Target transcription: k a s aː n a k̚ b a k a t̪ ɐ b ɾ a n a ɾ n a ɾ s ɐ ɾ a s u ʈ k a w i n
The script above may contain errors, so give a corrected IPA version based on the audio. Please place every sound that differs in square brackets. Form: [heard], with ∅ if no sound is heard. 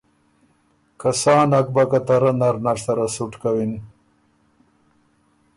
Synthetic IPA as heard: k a s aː n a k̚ b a k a t̪ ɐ [∅] ɾ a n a ɾ n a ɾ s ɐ ɾ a s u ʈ k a w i n